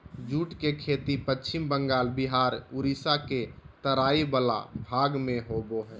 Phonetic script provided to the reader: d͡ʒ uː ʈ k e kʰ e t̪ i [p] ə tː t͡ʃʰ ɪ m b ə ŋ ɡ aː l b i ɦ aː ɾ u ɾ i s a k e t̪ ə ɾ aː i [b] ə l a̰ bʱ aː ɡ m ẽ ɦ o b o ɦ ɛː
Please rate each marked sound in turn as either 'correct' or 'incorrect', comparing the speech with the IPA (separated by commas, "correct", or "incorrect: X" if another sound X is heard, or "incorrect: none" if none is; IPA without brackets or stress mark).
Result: correct, correct